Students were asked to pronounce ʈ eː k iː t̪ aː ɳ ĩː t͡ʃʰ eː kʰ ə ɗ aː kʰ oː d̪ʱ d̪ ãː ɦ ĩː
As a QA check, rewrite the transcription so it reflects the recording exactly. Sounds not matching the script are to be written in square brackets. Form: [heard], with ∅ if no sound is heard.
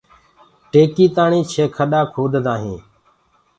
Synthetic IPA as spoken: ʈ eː k iː t̪ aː ɳ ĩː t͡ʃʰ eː kʰ ə ɗ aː kʰ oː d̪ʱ d̪ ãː ɦ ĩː